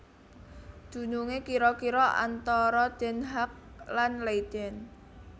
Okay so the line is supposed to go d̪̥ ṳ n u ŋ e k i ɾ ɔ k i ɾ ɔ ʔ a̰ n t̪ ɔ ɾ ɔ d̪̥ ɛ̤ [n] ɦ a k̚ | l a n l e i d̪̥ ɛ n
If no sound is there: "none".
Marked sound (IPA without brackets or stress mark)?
n